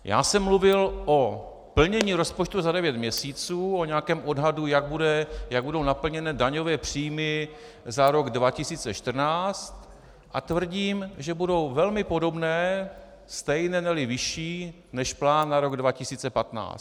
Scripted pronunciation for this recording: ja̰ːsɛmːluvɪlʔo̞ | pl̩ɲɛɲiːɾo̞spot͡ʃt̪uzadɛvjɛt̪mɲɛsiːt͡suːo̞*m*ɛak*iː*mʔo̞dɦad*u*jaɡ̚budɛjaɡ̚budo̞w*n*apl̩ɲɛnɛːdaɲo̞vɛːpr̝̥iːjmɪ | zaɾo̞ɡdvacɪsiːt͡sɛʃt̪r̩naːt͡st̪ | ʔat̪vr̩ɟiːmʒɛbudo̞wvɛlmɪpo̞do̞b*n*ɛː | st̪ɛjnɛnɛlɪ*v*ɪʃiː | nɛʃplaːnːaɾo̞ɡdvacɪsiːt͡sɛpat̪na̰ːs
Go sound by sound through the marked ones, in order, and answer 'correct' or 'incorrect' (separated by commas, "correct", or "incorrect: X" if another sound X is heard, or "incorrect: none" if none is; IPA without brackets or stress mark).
incorrect: ɲ, incorrect: ɛː, correct, correct, correct, correct